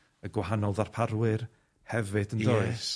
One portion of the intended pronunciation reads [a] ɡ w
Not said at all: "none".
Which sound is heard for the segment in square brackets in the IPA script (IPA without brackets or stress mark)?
ə